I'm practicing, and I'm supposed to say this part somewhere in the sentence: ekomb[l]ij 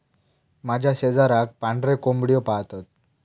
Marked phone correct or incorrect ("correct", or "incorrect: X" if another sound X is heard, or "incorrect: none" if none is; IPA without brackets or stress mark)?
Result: incorrect: ɽ